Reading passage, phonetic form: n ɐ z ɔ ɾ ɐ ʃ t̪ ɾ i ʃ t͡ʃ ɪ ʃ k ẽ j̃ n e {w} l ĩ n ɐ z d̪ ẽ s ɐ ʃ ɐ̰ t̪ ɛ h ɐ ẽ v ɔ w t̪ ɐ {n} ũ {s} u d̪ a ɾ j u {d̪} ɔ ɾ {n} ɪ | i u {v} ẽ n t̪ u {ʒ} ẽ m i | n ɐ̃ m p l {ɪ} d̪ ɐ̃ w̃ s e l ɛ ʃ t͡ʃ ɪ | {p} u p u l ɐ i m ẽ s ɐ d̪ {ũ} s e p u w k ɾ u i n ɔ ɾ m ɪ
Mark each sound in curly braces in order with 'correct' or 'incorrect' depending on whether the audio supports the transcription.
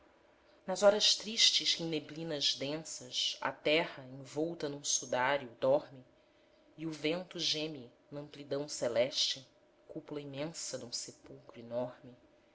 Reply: incorrect: b, correct, correct, correct, incorrect: m, correct, correct, incorrect: i, incorrect: k, correct

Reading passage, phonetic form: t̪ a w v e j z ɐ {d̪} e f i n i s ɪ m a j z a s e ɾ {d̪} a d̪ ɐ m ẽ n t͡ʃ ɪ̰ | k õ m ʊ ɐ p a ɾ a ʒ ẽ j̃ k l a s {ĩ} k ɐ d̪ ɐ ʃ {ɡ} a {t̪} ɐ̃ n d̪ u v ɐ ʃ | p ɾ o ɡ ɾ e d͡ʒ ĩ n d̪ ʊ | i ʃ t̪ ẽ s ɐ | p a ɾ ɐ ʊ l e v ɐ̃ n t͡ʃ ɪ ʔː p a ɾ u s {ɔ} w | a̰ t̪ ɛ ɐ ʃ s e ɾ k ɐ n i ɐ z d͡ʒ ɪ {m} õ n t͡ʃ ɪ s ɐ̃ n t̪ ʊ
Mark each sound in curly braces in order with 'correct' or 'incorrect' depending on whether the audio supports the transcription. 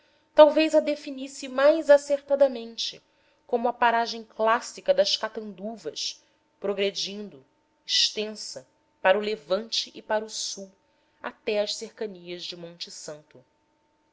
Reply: correct, incorrect: t̪, incorrect: i, incorrect: k, correct, incorrect: u, correct

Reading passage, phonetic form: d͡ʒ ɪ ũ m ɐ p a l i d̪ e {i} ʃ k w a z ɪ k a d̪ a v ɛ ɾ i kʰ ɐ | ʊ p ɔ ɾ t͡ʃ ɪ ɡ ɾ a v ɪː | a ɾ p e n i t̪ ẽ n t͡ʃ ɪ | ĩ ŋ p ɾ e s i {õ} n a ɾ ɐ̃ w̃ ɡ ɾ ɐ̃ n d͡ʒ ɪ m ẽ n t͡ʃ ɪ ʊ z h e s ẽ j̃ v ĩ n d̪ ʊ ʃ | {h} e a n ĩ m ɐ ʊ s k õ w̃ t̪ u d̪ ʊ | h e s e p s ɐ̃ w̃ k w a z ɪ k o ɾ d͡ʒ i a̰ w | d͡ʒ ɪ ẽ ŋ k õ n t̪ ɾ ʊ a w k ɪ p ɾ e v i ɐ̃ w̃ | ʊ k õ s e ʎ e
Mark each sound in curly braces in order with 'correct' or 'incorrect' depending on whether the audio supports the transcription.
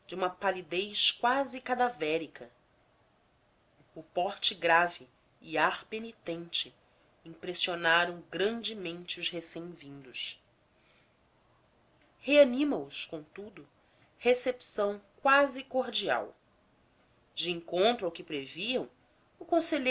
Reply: incorrect: j, incorrect: o, correct

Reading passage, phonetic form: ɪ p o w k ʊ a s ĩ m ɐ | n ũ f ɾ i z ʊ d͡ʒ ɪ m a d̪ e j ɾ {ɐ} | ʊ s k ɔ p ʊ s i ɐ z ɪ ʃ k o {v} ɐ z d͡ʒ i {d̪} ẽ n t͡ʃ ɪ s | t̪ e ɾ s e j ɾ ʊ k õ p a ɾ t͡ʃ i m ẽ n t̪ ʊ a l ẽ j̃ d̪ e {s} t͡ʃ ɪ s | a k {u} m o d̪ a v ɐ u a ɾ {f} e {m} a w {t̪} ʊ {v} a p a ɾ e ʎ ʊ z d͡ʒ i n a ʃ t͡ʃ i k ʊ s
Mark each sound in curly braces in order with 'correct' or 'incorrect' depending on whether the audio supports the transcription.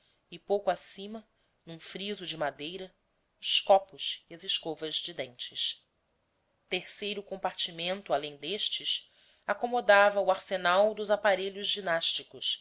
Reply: correct, correct, correct, incorrect: ʃ, incorrect: o, incorrect: s, incorrect: n, incorrect: d̪, incorrect: z

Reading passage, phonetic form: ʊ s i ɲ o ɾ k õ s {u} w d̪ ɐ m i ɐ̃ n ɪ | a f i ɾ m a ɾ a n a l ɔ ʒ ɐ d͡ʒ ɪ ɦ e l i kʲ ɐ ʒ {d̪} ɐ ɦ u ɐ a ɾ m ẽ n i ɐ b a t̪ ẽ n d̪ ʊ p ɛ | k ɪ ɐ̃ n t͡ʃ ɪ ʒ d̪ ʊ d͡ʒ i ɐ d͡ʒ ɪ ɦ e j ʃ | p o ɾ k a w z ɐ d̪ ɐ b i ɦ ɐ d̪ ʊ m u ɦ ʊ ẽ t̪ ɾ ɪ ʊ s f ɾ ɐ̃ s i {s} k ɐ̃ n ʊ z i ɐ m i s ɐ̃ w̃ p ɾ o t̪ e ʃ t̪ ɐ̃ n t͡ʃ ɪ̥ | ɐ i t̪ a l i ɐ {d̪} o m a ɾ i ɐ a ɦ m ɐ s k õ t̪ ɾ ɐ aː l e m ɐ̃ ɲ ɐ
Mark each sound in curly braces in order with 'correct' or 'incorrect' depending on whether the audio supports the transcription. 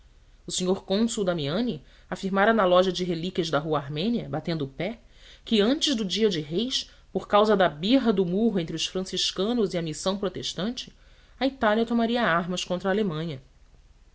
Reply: correct, correct, incorrect: ʃ, incorrect: t̪

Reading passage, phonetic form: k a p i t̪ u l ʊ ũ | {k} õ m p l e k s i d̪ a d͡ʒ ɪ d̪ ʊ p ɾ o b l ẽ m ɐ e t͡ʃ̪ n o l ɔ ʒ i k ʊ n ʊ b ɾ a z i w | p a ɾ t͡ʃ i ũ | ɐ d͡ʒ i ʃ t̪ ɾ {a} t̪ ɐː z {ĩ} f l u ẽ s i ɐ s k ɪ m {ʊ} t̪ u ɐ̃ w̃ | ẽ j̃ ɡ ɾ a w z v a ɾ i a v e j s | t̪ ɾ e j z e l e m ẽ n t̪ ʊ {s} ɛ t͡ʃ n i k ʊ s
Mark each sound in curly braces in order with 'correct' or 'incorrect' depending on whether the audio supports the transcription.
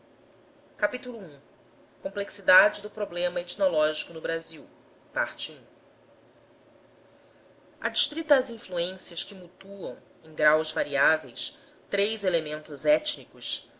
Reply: correct, incorrect: i, correct, incorrect: u, incorrect: z

